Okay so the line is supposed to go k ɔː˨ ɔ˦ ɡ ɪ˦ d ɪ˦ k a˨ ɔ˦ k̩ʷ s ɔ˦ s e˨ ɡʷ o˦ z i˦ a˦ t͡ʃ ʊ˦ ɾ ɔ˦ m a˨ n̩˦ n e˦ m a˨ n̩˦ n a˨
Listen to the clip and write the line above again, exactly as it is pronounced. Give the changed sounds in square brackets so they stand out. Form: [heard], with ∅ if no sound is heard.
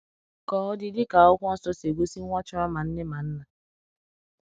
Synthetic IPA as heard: k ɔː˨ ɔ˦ [d] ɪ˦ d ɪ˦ k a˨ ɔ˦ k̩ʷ s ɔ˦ s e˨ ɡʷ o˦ [s] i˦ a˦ t͡ʃ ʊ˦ ɾ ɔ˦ m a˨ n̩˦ n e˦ m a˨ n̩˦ n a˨